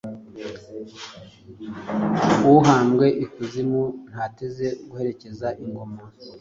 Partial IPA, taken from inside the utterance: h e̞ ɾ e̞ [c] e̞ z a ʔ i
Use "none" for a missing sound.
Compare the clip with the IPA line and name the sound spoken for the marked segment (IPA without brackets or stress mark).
c